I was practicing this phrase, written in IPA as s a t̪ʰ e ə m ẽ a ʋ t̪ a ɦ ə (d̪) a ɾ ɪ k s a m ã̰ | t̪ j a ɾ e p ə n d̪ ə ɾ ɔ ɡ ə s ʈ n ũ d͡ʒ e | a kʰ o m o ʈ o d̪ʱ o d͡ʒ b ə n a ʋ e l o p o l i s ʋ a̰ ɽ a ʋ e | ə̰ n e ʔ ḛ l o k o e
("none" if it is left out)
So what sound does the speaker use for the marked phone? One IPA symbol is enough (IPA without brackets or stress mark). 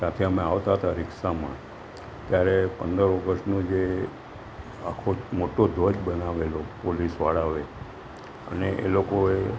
t̪